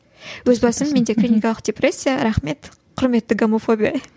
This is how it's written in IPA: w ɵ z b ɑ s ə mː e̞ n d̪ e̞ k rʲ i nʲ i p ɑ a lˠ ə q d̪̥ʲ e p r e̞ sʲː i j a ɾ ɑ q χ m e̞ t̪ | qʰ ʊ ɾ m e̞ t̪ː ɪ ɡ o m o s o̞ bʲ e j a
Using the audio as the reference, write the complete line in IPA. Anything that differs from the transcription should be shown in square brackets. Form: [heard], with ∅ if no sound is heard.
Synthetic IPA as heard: w ɵ z b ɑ s ə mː e̞ n d̪ e̞ k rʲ i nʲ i [k] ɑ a lˠ ə q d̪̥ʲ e p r e̞ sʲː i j a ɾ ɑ [∅] χ m e̞ t̪ | qʰ ʊ ɾ m e̞ t̪ː ɪ ɡ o m o [f] o̞ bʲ [i] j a